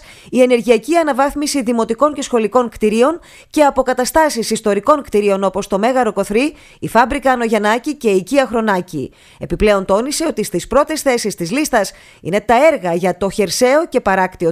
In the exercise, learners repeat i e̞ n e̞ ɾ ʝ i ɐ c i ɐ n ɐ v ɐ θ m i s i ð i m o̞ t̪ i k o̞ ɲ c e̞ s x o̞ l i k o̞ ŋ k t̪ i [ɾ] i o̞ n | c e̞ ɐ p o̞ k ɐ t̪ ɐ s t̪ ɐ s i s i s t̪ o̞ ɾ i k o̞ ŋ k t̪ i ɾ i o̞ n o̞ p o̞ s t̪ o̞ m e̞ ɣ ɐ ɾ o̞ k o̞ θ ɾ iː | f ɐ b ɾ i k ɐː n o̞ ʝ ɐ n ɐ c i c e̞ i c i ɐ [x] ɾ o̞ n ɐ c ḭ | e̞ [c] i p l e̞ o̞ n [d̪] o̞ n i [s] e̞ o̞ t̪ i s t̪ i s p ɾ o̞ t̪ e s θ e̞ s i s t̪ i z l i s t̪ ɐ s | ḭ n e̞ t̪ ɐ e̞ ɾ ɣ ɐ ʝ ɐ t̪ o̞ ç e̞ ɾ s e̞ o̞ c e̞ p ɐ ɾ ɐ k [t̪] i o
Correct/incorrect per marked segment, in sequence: correct, correct, incorrect: p, incorrect: t̪, correct, correct

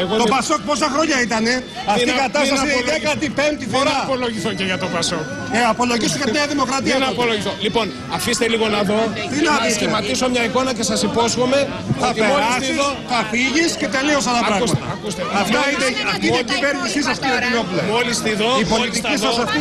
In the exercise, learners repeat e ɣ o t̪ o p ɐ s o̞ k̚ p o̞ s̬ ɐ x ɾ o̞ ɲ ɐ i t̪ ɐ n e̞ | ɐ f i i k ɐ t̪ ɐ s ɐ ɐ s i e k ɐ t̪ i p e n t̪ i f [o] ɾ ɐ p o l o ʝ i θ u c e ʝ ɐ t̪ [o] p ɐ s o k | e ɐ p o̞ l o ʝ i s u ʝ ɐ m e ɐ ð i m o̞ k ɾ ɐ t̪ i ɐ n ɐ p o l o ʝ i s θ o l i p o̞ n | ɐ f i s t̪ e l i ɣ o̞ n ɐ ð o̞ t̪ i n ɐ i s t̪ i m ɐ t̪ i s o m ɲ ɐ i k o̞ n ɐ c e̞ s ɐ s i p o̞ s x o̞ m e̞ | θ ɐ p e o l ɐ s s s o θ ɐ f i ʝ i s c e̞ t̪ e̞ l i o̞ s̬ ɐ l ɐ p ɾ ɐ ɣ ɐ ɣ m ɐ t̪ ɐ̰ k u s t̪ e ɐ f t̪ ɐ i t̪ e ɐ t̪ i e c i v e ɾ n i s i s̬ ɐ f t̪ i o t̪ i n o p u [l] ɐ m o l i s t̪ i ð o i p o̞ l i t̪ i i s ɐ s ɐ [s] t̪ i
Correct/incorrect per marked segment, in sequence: correct, correct, correct, incorrect: f

